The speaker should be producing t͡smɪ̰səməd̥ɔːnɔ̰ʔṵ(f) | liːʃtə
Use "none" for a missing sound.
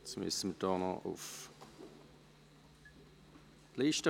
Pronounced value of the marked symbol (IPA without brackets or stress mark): f